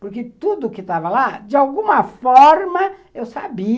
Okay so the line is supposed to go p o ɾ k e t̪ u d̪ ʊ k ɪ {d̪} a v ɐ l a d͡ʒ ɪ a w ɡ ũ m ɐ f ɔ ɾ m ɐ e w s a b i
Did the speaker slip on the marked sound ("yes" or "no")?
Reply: yes